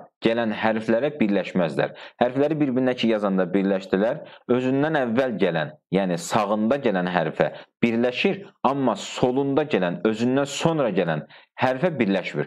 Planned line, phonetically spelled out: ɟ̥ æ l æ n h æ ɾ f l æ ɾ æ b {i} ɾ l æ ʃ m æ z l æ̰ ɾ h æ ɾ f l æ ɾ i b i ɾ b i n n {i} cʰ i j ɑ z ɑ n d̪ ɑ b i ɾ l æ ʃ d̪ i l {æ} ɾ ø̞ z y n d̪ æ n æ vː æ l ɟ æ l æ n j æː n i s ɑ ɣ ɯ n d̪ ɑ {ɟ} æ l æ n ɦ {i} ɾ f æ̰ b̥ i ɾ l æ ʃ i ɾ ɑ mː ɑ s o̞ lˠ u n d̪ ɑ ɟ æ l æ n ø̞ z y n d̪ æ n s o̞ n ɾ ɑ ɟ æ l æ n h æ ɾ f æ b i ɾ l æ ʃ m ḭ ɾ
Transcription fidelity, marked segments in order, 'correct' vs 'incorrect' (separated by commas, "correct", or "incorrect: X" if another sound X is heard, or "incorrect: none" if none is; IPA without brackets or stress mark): correct, incorrect: æ, correct, correct, incorrect: æ